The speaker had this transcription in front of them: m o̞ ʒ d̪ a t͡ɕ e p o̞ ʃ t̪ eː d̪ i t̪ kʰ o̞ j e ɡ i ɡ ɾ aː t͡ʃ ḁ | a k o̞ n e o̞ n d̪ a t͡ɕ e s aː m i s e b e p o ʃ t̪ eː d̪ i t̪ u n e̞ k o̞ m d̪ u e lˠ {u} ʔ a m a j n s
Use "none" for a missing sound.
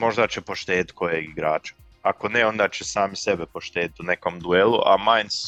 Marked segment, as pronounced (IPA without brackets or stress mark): u